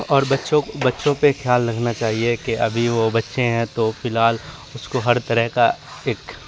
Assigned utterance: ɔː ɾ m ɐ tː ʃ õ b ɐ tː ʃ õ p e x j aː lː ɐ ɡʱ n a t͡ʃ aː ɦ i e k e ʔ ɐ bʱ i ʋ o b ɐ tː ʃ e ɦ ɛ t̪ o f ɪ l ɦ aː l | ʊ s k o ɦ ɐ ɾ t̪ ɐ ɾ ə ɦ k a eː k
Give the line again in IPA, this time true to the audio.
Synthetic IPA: ɔː ɾ b ɐ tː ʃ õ b ɐ tː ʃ õ p e x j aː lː ɐ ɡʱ n a t͡ʃ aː ɦ i e k e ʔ ɐ bʱ i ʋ o b ɐ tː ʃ e ɦ ɛ̃ t̪ o f ɪ l ɦ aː l | ʊ s k o ɦ ɐ ɾ t̪ ɐ ɾ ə ɦ k a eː k